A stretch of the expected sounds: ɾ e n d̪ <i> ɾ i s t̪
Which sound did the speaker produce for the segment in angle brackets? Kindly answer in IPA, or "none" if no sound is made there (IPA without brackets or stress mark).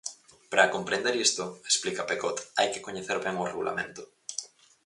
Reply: e